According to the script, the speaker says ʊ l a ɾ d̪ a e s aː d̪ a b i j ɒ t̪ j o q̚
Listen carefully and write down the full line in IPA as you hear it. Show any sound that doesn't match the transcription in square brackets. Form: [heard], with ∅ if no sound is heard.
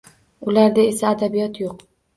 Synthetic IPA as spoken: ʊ l a ɾ d̪ a e s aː d̪ a b i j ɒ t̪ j o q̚